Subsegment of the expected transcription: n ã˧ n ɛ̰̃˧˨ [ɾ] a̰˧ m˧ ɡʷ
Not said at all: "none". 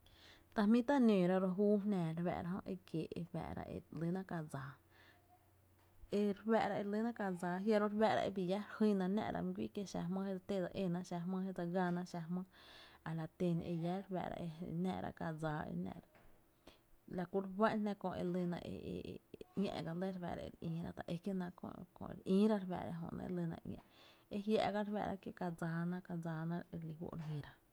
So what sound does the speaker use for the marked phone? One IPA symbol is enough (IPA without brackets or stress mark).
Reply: ɾ